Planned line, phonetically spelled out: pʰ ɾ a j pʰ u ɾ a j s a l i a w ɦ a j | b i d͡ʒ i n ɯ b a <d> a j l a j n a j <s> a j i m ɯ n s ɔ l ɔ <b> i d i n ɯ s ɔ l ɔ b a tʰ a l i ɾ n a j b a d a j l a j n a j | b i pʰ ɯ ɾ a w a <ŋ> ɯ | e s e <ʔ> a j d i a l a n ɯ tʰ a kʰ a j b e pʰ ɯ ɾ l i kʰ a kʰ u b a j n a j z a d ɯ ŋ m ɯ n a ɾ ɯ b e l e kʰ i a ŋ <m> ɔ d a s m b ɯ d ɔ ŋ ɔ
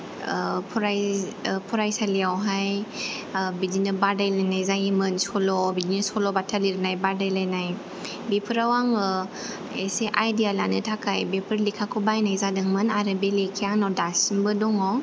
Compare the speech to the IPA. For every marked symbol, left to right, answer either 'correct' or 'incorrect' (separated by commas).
correct, incorrect, correct, correct, correct, incorrect